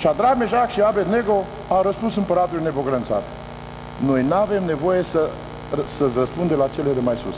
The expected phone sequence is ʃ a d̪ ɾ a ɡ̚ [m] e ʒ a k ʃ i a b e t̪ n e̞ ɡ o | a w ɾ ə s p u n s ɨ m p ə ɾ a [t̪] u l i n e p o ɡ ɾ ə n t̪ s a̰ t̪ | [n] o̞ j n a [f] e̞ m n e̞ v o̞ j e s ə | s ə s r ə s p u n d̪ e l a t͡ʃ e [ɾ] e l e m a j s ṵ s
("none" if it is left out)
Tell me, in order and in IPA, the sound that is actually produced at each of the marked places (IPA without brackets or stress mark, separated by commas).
m, t̪, n, v, l